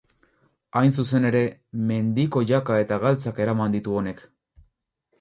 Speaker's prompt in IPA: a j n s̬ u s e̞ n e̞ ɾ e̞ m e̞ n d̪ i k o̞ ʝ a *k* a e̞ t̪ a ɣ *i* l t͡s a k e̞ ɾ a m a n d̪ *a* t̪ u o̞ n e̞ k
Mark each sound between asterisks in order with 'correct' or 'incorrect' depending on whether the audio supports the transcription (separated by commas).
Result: correct, incorrect, incorrect